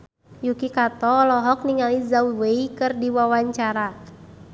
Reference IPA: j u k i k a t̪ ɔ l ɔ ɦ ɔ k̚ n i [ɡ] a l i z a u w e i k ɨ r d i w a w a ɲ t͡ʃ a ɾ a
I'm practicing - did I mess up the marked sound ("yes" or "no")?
yes